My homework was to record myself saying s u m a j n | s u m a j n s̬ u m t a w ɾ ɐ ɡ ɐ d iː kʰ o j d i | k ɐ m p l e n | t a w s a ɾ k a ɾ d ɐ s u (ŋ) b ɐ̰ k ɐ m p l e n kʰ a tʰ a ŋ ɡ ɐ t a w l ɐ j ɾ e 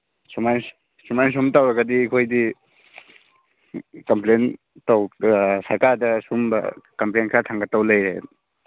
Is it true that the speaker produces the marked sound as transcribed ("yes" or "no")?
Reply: no